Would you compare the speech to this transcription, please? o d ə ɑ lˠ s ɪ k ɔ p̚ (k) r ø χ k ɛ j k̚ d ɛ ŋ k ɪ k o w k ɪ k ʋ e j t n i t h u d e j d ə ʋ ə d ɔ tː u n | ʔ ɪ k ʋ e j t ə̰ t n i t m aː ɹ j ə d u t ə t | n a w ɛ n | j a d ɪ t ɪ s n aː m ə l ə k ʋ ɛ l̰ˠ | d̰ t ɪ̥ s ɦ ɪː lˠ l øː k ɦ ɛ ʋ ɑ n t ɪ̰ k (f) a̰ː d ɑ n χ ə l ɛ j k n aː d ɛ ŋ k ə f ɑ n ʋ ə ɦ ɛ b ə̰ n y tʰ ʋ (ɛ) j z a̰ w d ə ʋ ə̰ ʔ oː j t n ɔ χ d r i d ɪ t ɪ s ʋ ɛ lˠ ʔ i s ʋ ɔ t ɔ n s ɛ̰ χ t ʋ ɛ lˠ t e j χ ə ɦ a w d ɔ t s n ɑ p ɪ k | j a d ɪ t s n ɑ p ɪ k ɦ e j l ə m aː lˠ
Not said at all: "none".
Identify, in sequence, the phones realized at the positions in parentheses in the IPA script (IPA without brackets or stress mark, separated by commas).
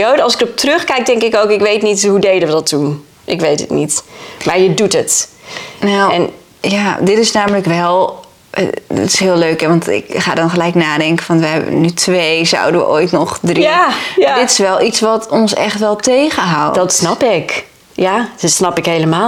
t, χ, e